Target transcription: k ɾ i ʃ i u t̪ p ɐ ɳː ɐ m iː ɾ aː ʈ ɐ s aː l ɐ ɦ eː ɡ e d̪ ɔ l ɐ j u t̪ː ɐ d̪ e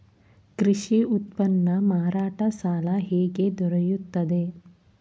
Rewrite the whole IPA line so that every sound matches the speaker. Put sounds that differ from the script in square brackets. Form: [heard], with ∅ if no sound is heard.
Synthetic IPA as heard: k ɾ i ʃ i u t̪ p ɐ [nː] ɐ m [aː] ɾ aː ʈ ɐ s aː l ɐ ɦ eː ɡ e d̪ ɔ [ɾ] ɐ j u t̪ː ɐ d̪ e